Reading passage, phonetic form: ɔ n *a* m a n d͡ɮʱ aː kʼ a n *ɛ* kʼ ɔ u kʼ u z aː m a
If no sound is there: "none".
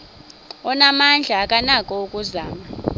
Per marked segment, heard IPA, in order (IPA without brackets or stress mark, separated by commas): a, a